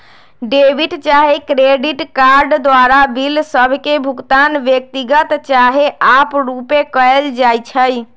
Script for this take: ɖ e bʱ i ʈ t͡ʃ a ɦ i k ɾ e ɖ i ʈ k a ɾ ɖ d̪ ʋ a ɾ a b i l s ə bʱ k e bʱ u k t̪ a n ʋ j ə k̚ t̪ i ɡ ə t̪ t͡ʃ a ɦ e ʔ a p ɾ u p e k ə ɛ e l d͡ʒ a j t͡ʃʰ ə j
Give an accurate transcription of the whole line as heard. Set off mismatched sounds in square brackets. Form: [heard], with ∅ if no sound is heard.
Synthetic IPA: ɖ e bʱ i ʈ t͡ʃ a ɦ [e] k ɾ e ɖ i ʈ k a ɾ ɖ d̪ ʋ a ɾ a b i l s ə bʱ k e bʱ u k t̪ a n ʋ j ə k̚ t̪ i ɡ ə t̪ t͡ʃ a ɦ e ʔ a p ɾ u p e k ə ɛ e l d͡ʒ a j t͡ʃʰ ə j